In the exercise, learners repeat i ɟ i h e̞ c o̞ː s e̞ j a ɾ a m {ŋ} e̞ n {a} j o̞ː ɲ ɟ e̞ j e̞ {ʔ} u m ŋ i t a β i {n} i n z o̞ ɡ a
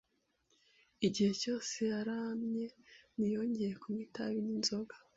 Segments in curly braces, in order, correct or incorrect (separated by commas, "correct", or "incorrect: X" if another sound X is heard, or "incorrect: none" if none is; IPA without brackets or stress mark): incorrect: ɲ, incorrect: i, incorrect: k, correct